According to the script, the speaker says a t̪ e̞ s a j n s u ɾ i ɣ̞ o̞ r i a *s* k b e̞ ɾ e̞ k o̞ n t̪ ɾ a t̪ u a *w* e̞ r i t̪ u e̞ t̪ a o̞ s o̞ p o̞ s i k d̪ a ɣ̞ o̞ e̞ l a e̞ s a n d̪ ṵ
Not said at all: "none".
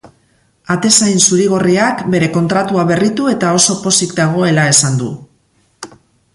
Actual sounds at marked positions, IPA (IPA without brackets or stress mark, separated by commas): none, β